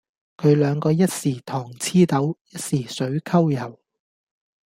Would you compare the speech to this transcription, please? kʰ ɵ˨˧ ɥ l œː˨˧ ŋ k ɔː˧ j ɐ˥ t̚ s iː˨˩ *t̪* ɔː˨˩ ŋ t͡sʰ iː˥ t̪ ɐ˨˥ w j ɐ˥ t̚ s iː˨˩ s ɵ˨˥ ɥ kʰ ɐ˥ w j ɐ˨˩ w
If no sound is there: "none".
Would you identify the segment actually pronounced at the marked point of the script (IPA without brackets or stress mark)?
t̪ʰ